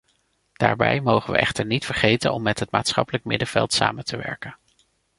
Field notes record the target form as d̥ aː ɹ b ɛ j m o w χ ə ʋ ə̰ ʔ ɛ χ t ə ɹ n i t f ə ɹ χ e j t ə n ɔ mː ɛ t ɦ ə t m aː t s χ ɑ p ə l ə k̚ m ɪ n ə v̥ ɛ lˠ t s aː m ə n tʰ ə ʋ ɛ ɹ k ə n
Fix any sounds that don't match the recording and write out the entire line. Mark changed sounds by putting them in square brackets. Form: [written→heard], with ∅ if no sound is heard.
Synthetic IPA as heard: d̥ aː ɹ b ɛ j m o w χ ə ʋ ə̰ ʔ ɛ χ t ə ɹ n i t f ə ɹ χ e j t ə n ɔ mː ɛ t ɦ ə t m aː t s χ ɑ p ə l ə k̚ m ɪ [n→d] ə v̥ ɛ lˠ t s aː m ə n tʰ ə ʋ ɛ ɹ k ə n